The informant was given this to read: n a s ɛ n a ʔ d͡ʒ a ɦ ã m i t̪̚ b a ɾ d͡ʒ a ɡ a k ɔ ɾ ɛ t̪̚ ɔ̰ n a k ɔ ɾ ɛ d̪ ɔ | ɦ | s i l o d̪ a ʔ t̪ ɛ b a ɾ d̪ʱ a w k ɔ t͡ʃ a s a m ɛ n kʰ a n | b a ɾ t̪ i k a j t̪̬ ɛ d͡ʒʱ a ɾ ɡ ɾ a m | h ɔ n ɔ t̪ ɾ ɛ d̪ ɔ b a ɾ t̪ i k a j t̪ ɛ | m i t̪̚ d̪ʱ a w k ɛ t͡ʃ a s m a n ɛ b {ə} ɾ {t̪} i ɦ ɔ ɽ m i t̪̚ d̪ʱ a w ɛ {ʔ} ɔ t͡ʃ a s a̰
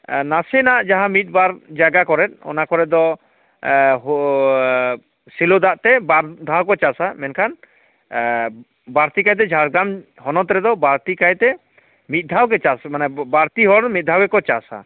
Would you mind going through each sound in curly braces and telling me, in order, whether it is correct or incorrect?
incorrect: a, correct, incorrect: k

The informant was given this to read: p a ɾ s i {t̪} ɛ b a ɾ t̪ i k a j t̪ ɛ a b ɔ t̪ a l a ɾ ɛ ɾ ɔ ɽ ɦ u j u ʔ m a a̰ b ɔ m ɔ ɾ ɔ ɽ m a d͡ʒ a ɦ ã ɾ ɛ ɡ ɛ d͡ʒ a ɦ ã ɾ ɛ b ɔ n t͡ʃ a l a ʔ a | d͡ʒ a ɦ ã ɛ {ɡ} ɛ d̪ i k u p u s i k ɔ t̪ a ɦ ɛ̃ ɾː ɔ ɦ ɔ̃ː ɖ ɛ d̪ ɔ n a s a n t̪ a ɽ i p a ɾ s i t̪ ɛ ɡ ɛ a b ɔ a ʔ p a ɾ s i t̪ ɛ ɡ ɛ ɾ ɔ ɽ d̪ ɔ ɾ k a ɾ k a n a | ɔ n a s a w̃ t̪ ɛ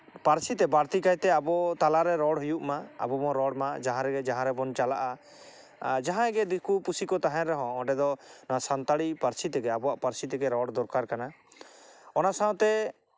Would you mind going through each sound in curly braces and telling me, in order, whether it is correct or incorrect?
correct, correct

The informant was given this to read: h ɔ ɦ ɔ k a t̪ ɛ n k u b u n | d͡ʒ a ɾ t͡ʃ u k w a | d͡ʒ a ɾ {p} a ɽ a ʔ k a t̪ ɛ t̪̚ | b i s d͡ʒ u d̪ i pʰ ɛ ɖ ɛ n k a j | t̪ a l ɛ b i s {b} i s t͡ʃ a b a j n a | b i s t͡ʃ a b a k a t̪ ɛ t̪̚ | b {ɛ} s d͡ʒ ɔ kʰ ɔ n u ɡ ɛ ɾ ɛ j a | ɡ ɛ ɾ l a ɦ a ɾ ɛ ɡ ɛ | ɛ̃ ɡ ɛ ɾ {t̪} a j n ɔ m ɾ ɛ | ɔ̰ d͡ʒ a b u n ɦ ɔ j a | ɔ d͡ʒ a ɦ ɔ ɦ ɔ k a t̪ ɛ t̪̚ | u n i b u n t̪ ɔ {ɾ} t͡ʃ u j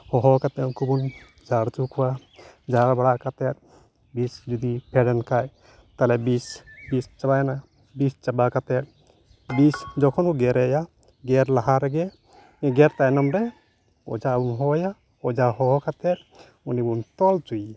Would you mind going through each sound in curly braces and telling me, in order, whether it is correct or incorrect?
incorrect: b, correct, incorrect: i, correct, incorrect: l

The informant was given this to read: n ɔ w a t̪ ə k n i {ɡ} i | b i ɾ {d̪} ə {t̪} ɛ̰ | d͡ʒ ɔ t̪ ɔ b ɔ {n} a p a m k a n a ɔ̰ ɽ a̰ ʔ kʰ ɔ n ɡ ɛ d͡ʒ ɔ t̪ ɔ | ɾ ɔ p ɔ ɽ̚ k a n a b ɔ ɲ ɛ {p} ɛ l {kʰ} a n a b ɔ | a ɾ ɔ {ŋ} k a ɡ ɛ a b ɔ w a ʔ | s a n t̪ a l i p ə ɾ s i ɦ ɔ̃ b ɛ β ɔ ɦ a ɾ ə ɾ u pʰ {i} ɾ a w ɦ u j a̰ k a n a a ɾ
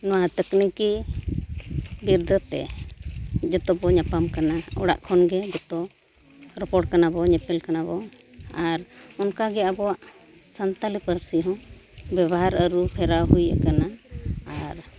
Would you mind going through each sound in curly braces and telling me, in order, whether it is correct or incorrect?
incorrect: k, correct, correct, incorrect: ɲ, correct, incorrect: k, incorrect: n, incorrect: ɛ

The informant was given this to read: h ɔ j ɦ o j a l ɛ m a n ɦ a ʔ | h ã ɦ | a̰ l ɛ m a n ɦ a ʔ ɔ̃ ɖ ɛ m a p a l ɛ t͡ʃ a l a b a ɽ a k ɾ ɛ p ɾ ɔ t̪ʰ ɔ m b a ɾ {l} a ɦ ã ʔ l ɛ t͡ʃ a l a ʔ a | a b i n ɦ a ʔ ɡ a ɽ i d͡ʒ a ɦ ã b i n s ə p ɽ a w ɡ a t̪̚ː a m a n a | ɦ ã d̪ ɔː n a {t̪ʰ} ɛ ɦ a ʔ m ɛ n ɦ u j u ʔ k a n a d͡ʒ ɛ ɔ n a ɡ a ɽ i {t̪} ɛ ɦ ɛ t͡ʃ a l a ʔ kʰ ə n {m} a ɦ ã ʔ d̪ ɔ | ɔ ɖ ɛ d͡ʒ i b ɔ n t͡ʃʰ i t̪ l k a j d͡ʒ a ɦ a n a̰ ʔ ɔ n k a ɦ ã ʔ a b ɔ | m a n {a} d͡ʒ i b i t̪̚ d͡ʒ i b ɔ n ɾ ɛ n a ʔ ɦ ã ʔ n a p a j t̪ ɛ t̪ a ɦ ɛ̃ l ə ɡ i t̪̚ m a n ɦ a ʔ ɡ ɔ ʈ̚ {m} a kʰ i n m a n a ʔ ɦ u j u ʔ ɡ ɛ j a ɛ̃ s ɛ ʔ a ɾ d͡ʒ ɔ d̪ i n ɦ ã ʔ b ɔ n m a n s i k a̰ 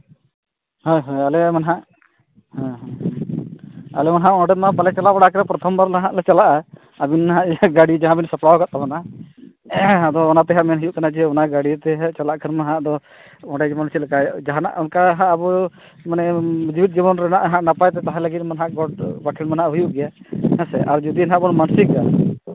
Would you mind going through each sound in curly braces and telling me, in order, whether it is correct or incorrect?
correct, incorrect: t̪, correct, correct, incorrect: ɛ, incorrect: b

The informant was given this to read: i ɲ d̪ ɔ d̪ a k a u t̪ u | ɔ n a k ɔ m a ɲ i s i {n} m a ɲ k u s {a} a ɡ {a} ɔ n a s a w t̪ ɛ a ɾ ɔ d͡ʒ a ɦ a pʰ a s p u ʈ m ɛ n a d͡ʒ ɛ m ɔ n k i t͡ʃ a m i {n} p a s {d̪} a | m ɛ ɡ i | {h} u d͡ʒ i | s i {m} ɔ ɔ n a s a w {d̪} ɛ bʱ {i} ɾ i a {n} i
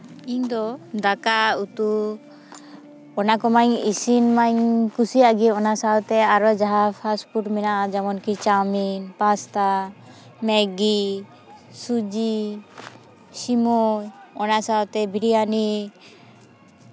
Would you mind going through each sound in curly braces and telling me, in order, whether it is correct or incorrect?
correct, incorrect: i, incorrect: i, correct, incorrect: t̪, incorrect: s, correct, incorrect: t̪, correct, correct

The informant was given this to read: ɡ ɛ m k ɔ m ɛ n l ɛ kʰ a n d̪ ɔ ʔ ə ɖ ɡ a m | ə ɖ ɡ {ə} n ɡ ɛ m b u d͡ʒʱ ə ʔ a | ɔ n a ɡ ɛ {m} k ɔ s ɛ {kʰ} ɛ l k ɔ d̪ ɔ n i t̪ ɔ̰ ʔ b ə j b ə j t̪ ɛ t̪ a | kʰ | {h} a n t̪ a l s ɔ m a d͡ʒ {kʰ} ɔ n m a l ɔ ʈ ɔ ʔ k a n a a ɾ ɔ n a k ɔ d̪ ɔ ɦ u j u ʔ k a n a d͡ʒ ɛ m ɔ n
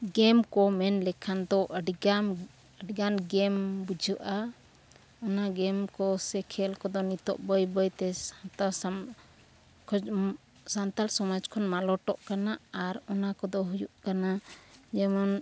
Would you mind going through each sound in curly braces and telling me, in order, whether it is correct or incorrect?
incorrect: a, correct, correct, incorrect: s, correct

